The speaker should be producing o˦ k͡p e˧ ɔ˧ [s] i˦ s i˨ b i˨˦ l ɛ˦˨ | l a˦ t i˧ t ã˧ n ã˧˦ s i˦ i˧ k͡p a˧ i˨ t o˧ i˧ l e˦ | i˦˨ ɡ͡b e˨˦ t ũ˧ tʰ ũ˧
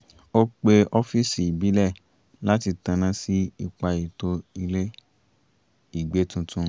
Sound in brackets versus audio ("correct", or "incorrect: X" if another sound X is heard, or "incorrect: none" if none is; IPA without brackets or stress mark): incorrect: f